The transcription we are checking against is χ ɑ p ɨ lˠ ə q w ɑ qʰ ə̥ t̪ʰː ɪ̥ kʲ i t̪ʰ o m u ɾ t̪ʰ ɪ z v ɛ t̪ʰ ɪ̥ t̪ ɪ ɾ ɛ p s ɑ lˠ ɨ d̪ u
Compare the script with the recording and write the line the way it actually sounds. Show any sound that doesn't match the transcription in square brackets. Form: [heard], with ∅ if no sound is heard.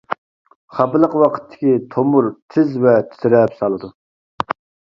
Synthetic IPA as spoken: χ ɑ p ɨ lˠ ə q w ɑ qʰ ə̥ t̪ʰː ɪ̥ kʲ i t̪ʰ o m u ɾ t̪ʰ ɪ z v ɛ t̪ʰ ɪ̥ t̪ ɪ ɾ ɛ p s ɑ lˠ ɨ d̪ u